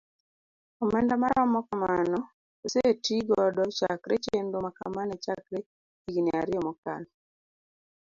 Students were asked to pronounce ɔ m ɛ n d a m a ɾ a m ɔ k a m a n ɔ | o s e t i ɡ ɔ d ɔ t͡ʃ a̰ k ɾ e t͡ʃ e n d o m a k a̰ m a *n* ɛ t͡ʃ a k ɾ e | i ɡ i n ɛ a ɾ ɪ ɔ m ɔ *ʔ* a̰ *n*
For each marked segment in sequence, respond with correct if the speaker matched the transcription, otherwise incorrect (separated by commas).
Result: correct, incorrect, correct